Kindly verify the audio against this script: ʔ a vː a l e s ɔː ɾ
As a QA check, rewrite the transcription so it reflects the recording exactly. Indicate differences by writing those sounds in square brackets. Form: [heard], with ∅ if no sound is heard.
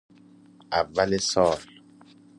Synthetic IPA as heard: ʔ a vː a l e s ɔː [l]